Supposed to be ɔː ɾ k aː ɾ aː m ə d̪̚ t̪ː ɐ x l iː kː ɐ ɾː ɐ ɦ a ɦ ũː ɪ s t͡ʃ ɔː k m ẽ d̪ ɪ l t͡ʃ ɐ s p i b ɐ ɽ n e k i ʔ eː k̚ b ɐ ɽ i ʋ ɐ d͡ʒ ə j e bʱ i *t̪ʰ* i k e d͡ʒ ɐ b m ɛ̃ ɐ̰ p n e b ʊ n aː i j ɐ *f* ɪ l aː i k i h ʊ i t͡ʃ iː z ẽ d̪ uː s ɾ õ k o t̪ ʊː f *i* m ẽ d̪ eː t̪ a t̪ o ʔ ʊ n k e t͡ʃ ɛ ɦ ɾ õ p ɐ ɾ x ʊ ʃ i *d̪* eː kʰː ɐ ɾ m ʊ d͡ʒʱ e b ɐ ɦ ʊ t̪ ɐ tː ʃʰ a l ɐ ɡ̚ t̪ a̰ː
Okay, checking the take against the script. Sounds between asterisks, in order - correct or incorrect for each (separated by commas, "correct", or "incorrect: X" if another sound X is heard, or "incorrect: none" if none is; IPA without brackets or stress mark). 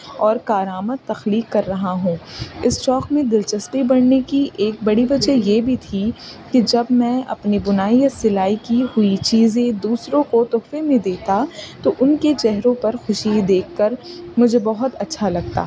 correct, incorrect: s, incorrect: e, correct